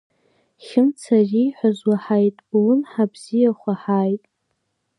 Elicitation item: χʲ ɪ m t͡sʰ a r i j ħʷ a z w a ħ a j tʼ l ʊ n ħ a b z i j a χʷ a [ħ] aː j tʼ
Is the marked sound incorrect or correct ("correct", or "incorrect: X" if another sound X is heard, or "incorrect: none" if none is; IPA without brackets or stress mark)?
correct